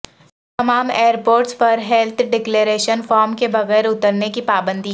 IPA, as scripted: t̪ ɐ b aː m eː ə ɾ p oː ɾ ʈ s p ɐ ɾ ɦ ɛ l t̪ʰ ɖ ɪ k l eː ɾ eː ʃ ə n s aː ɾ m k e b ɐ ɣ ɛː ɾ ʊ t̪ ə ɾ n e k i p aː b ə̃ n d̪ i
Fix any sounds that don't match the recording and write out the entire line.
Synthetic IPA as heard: t̪ ɐ m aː m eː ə ɾ p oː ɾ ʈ s p ɐ ɾ ɦ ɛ l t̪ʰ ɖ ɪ k l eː ɾ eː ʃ ə n f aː ɾ m k e b ɐ ɣ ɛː ɾ ʊ t̪ ə ɾ n e k i p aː b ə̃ n d̪ i